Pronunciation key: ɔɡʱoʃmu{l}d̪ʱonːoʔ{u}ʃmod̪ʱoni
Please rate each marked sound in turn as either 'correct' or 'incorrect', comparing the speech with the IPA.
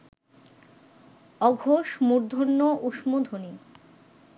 incorrect: ɾ, correct

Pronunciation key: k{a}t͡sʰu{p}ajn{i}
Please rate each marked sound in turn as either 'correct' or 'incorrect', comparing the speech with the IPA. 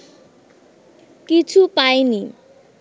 incorrect: i, correct, correct

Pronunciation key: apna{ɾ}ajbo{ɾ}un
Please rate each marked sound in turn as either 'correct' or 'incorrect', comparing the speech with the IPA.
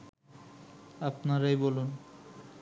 correct, incorrect: l

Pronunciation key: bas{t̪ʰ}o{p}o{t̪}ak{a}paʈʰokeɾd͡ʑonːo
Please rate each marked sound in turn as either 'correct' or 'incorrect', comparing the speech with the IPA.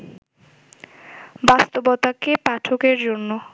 incorrect: t̪, incorrect: b, correct, incorrect: e

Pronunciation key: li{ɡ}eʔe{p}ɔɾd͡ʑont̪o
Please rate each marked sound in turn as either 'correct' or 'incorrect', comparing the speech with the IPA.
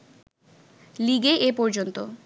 correct, correct

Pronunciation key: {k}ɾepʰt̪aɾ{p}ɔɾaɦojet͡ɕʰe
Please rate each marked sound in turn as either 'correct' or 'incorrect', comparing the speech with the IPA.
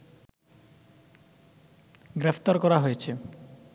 incorrect: ɡ, incorrect: k

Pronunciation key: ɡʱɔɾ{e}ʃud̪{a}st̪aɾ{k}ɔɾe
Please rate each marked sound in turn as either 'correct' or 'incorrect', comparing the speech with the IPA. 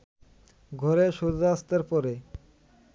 correct, correct, incorrect: p

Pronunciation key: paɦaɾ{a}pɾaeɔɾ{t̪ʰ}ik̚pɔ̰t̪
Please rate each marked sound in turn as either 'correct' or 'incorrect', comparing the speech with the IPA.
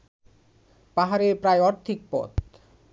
incorrect: e, correct

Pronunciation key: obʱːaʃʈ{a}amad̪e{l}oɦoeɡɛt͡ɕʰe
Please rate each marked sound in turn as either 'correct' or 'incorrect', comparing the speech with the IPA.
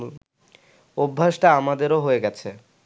correct, incorrect: ɾ

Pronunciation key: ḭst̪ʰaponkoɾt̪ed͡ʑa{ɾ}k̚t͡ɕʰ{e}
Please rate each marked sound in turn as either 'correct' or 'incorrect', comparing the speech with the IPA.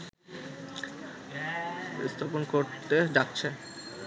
incorrect: none, correct

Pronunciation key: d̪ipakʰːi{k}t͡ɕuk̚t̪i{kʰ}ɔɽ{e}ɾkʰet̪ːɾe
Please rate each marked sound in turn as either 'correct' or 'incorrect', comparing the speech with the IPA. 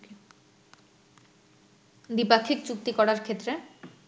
correct, incorrect: k, incorrect: a

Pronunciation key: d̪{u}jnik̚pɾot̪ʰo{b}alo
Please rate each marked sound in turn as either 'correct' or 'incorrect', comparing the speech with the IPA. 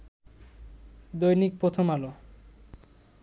incorrect: o, incorrect: m

